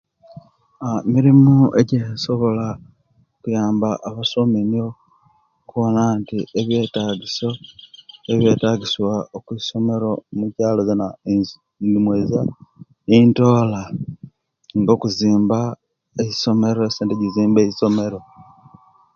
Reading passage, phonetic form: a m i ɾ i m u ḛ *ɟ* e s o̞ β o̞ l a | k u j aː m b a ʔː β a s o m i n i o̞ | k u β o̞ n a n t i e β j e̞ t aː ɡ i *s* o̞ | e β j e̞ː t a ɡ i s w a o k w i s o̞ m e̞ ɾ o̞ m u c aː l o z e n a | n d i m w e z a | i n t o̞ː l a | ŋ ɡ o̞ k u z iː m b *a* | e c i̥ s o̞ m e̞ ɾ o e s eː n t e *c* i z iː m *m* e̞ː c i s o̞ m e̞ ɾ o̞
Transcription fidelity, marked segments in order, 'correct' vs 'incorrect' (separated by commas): correct, correct, correct, incorrect, incorrect